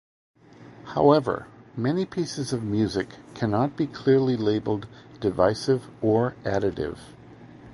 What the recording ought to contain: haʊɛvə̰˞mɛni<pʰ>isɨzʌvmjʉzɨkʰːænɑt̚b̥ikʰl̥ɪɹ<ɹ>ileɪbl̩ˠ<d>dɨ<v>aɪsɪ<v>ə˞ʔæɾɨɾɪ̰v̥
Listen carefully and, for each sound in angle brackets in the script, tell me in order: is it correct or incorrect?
correct, incorrect: l, correct, correct, correct

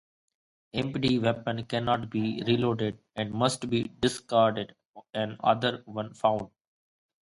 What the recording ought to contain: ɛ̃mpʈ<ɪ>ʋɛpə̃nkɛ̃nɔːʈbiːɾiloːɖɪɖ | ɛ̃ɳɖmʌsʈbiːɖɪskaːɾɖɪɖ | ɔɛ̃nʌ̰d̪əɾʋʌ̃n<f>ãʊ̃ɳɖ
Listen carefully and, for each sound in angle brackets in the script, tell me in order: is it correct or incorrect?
incorrect: i, correct

